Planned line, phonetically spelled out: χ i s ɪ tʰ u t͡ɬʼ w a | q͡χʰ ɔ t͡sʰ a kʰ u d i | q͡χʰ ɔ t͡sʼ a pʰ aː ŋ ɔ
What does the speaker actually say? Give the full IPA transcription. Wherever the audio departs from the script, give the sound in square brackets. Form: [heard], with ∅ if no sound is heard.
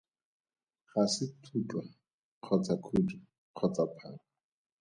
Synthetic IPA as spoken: χ [a] s ɪ tʰ u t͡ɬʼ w a | q͡χʰ ɔ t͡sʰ a kʰ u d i | q͡χʰ ɔ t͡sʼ a pʰ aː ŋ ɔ